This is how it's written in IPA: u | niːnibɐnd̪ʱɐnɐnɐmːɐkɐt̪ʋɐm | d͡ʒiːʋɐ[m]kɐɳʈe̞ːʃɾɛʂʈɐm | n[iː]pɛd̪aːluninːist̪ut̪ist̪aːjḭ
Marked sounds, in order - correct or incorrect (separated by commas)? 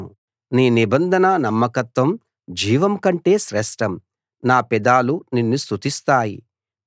correct, incorrect